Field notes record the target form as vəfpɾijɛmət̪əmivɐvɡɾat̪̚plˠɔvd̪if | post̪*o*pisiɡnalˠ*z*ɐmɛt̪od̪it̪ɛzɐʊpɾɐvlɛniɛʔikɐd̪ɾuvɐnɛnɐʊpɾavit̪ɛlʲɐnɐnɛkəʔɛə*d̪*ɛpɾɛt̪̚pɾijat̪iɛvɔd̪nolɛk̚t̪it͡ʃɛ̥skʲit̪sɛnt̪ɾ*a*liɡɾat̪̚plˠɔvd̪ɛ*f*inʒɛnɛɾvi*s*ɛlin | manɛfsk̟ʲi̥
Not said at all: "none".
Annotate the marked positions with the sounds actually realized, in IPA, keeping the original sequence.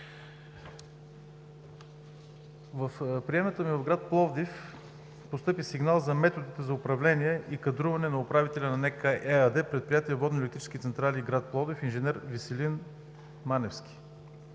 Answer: ɤ, z, d̪, a, f, s

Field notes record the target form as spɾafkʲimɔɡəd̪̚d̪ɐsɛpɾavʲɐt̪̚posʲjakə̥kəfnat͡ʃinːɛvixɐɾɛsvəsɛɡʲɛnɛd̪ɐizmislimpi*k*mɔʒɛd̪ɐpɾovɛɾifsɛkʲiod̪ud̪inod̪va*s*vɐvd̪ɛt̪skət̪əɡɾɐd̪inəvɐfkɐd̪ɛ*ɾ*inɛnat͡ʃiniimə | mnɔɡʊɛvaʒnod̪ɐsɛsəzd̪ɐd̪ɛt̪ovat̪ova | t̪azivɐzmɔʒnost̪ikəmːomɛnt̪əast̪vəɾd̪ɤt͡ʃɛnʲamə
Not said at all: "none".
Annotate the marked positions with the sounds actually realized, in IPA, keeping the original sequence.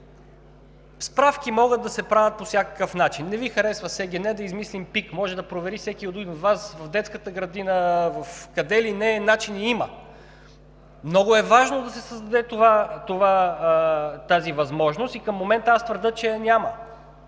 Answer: k, s, l

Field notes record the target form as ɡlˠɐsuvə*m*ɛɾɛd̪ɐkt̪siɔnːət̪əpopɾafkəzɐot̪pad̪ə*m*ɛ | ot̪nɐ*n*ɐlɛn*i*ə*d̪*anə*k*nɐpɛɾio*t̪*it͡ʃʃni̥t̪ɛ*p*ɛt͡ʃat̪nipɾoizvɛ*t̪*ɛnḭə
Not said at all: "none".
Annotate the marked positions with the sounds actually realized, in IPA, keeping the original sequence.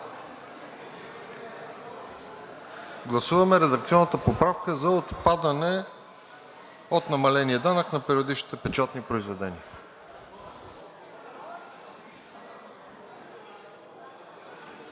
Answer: m, n, m, i, d̪, k, d̪, p, d̪

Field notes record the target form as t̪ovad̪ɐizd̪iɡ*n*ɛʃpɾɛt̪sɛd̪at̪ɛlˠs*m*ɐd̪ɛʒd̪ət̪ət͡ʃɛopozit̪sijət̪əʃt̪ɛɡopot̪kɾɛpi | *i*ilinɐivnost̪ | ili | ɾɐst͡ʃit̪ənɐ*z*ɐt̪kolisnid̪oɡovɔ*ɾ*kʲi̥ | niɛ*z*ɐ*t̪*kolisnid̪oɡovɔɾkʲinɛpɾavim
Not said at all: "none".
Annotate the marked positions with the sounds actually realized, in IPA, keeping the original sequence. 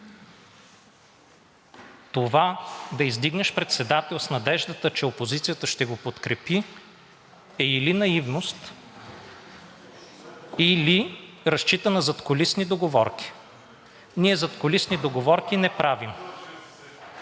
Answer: n, n, ɛ, z, ɾ, z, t̪

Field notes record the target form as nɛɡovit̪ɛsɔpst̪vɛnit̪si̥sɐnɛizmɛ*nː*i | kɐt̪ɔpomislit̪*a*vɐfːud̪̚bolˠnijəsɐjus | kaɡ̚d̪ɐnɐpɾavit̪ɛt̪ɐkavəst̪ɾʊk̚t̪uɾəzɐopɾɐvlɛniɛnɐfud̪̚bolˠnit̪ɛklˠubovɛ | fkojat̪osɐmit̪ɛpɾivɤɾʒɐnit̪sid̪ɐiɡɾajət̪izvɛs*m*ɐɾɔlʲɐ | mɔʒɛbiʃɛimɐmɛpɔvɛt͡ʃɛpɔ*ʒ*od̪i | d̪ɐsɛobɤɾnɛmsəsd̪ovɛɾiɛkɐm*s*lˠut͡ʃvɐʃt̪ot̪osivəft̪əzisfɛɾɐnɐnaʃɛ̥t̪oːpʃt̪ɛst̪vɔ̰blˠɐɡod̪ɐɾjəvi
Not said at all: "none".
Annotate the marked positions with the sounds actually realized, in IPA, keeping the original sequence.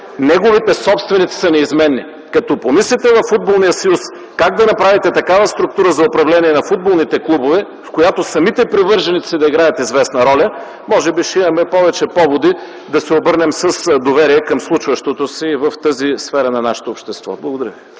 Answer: nː, ɛ, n, v, s

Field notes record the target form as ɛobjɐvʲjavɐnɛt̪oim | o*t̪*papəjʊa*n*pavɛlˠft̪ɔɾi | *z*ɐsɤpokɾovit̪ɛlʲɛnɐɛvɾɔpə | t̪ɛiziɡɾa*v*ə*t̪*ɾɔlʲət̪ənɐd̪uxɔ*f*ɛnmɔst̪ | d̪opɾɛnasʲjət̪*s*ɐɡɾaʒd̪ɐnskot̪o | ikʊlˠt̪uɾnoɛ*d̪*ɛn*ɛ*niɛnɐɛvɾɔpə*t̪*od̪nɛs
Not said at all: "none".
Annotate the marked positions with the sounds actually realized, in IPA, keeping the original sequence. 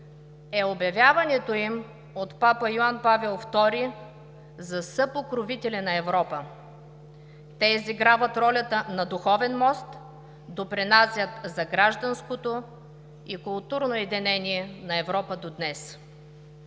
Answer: t̪, n, z, v, t̪, v, z, d̪, ɛ, d̪

